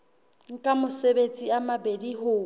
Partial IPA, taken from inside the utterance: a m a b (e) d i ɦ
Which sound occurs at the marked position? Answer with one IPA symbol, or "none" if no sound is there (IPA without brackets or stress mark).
e